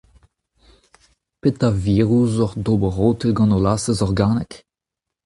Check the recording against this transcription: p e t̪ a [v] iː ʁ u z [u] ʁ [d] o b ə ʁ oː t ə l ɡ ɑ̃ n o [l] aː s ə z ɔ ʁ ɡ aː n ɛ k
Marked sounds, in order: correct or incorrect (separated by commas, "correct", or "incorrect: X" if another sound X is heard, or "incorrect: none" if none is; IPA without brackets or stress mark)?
correct, incorrect: ɔ, correct, correct